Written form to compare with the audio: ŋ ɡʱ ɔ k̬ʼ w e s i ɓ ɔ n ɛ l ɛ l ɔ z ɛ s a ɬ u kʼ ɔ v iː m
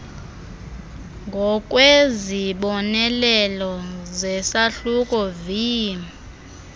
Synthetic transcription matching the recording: ŋ ɡʱ ɔ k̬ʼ w e z i ɓ ɔ n ɛ l ɛ l ɔ z ɛ s a ɬ u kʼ ɔ v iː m